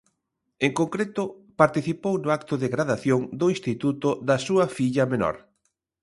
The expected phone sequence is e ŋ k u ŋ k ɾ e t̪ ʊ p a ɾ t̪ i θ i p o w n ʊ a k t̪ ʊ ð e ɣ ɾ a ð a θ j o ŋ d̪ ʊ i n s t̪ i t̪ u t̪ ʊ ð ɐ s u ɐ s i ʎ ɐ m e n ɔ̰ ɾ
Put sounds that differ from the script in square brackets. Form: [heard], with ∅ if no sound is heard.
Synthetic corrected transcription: e ŋ k [o] ŋ k ɾ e t̪ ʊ p a ɾ t̪ i θ i p o w n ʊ a k t̪ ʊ ð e ɣ ɾ a ð a θ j o ŋ d̪ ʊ i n s t̪ i t̪ u t̪ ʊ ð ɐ s u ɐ [f] i ʎ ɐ m e n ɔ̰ ɾ

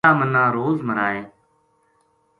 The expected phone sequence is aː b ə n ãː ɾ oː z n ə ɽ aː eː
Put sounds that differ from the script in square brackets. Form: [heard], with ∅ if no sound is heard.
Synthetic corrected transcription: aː [m] ə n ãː ɾ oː z [m] ə [ɾ] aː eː

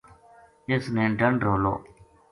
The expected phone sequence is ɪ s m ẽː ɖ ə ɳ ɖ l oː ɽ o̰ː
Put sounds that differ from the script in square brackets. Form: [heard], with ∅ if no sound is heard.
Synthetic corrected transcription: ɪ s [n] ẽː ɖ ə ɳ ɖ [ɾ] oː [l] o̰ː

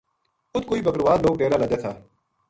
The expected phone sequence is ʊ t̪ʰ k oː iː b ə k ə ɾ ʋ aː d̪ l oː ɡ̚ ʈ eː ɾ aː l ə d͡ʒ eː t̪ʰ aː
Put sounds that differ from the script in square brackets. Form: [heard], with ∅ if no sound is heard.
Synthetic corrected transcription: ʊ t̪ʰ k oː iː b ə k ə ɾ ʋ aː d̪ l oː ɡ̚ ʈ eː ɾ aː l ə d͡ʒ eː t̪ʰ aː

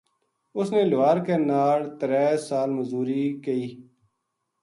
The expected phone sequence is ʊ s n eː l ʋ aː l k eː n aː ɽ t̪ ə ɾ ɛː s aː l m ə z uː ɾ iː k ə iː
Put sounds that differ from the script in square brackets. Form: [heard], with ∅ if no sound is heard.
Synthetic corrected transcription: ʊ s n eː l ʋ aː [ɾ] k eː n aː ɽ t̪ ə ɾ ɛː s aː l m ə z uː ɾ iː k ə iː

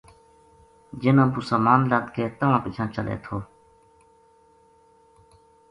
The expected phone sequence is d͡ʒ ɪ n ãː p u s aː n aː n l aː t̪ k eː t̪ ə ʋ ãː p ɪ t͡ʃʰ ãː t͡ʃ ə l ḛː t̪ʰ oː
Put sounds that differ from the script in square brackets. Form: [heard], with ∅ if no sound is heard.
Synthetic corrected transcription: d͡ʒ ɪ n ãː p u s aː [m] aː n l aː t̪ k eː t̪ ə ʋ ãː p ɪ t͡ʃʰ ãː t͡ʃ ə l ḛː t̪ʰ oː

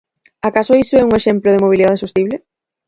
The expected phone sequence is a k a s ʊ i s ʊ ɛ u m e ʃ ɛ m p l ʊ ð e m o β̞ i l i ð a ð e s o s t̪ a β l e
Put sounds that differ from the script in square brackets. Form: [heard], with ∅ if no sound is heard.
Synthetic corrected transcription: a k a s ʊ i s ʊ ɛ u [ŋ] e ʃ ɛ m p l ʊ ð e m o β̞ i l i ð a ð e s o s t̪ [i] β l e

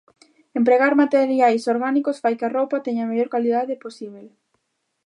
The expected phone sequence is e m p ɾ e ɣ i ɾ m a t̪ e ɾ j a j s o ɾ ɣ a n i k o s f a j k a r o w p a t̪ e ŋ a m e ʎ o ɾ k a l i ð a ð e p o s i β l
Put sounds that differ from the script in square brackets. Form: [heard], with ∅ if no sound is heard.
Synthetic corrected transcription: e m p ɾ e ɣ [a] ɾ m a t̪ e ɾ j a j s o ɾ ɣ a n i k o s f a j k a r o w p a t̪ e [ɲ] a m e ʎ o ɾ k a l i ð a ð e p o s i β l

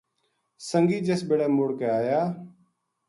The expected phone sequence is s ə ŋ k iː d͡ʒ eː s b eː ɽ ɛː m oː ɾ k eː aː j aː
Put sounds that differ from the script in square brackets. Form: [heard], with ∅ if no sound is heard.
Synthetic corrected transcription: s ə ŋ [ɡ] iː d͡ʒ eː s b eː ɽ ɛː m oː [ɽ] k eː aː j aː

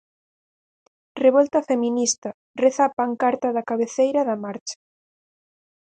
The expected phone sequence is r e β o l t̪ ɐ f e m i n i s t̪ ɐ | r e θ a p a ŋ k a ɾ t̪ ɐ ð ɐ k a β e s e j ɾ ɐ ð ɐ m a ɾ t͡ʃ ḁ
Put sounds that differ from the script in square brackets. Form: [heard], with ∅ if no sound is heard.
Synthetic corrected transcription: r e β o l t̪ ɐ f e m i n i s t̪ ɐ | r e θ a p a ŋ k a ɾ t̪ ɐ ð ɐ k a β e [θ] e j ɾ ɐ ð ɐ m a ɾ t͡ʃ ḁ

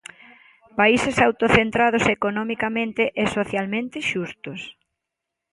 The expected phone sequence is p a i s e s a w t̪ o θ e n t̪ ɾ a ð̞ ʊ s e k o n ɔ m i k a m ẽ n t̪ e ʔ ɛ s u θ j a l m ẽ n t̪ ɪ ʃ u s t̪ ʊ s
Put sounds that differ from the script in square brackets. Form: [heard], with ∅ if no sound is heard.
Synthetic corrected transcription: p a i s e s a w t̪ o θ e n t̪ ɾ a ð̞ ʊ s e k o n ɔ m i k a m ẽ n t̪ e ʔ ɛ s [o] θ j a l m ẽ n t̪ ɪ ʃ u s t̪ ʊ s

